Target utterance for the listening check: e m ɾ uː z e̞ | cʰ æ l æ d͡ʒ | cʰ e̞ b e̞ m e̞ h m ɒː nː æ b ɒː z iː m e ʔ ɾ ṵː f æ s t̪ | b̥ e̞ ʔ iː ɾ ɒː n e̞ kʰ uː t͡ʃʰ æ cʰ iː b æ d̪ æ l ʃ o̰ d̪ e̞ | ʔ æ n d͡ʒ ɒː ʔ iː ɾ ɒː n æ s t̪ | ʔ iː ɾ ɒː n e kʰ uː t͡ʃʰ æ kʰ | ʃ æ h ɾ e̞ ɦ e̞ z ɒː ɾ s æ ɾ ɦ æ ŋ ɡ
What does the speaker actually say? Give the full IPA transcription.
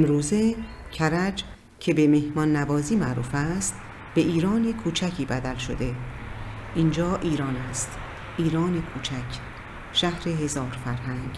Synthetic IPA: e m ɾ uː z e̞ | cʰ æ ɾ æ d͡ʒ | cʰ e̞ b e̞ m e̞ h m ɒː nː æ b ɒː z iː m æ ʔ ɾ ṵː f æ s t̪ | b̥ e̞ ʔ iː ɾ ɒː n e̞ kʰ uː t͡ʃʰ æ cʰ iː b æ d̪ æ l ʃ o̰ d̪ e̞ | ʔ i n d͡ʒ ɒː ʔ iː ɾ ɒː n æ s t̪ | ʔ iː ɾ ɒː n e kʰ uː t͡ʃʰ æ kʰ | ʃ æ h ɾ e̞ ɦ e̞ z ɒː ɾ f æ ɾ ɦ æ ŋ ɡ